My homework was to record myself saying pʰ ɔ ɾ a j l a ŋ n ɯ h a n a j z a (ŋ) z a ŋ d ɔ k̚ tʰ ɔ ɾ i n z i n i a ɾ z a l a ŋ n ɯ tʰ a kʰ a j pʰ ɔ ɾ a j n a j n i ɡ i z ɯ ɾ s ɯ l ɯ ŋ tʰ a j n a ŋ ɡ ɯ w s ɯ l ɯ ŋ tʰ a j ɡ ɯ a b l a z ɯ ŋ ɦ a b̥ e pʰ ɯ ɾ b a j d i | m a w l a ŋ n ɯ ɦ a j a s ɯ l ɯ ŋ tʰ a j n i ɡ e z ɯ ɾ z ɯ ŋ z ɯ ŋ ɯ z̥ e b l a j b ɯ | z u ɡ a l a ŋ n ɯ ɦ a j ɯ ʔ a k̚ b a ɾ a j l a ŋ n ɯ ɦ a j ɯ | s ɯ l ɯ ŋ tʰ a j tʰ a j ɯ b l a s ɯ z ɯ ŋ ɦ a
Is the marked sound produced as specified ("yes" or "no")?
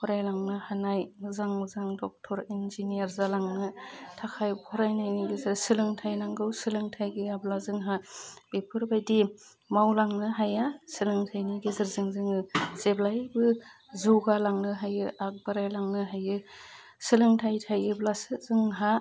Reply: yes